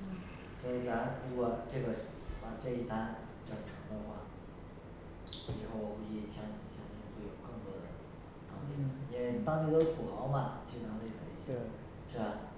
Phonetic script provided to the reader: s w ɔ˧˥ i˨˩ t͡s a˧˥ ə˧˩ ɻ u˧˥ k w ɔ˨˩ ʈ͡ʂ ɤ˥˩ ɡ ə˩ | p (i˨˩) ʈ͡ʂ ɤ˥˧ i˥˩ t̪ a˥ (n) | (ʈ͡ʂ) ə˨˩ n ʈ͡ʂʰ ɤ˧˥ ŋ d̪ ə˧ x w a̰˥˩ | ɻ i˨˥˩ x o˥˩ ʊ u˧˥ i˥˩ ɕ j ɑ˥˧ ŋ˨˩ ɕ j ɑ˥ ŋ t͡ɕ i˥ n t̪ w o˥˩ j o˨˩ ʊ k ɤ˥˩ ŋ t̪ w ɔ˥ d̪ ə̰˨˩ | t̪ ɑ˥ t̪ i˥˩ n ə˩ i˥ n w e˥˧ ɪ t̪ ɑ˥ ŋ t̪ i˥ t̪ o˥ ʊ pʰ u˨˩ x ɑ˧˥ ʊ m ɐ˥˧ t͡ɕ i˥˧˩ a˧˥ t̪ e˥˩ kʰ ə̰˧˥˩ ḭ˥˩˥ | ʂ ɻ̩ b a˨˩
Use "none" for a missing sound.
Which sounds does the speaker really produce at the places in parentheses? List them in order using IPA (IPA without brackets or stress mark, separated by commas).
a˨˩, n, ʈ͡ʂ